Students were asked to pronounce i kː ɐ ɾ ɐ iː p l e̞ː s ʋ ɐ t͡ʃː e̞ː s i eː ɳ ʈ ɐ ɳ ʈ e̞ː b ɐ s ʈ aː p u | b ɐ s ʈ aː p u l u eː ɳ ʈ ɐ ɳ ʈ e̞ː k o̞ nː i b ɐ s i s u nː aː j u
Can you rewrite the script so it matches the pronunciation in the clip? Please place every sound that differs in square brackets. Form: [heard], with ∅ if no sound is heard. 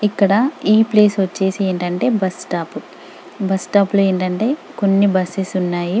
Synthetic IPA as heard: i kː ɐ [ɽ] ɐ iː p l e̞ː s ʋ ɐ t͡ʃː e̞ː s i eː ɳ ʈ ɐ ɳ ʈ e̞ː b ɐ s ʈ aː p u | b ɐ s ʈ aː p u l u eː ɳ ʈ ɐ ɳ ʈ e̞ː k o̞ nː i b ɐ s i s u nː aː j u